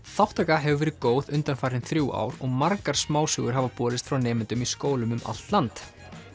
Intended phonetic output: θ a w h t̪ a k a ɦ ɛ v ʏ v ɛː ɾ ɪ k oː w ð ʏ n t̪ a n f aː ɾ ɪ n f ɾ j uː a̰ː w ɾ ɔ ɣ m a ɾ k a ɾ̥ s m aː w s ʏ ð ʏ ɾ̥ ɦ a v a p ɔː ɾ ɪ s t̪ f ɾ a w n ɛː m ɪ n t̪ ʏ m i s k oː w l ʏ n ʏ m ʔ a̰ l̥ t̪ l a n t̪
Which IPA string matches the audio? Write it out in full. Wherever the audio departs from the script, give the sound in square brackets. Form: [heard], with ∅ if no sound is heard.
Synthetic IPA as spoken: θ a w h t̪ a k a ɦ ɛ v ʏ v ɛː ɾ ɪ k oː w ð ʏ n t̪ a n f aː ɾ ɪ n [θ] ɾ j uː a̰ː w ɾ ɔ ɣ m a ɾ k a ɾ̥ s m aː w s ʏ [ɣ] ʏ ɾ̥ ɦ a v a p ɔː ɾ ɪ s t̪ f ɾ a w n ɛː m ɪ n t̪ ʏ m i s k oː w l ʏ [m] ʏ m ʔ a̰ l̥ t̪ l a n t̪